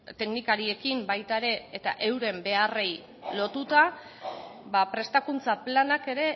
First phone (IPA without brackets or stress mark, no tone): t̪